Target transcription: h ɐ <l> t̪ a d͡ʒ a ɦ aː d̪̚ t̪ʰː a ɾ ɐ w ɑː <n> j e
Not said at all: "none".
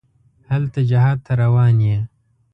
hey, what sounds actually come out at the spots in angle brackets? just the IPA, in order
l, n

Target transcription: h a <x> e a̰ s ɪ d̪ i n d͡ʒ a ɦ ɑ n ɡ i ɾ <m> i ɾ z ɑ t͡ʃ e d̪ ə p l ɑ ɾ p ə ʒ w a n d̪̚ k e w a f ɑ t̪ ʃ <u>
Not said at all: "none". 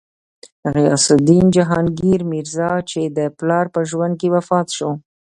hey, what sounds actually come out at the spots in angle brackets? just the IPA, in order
ɣ, m, o

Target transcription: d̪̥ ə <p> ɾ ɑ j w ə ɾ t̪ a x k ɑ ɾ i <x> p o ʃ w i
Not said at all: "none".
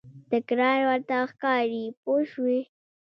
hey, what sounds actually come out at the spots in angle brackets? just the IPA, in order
k, none

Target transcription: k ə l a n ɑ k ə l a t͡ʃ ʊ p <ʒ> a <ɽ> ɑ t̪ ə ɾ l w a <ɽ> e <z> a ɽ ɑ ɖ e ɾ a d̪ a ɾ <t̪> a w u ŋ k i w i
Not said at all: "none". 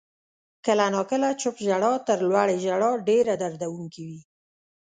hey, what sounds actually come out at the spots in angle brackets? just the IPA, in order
ʒ, ɽ, ɽ, ʒ, d̪

